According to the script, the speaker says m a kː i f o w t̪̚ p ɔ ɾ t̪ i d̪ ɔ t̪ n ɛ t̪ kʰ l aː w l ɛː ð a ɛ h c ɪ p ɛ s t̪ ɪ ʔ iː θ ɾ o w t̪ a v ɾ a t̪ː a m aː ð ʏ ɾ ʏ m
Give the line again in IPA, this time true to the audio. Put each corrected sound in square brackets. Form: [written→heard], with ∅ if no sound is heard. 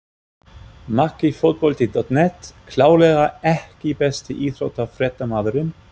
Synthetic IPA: m a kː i f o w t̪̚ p ɔ [ɾ→l] t̪ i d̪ ɔ t̪ n ɛ t̪ kʰ l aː w l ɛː [ð→ɣ] a ɛ h c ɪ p ɛ s t̪ ɪ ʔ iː θ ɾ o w t̪ a [v→f] ɾ [a→ɛ] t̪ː a m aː ð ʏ ɾ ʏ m